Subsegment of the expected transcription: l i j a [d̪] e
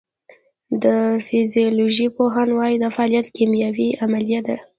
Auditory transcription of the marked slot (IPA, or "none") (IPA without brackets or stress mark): d̪